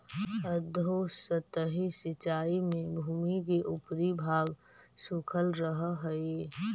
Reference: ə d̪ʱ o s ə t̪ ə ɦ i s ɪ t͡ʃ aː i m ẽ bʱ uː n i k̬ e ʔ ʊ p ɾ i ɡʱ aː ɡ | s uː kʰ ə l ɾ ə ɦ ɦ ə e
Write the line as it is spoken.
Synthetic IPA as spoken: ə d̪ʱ o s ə t̪ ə ɦ i s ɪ t͡ʃ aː i m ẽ bʱ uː m i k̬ e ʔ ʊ p ɾ i bʱ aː ɡ | s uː kʰ ə l ɾ ə ɦ ɦ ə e